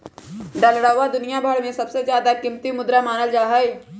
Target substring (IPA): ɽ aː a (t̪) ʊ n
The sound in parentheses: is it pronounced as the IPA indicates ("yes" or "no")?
no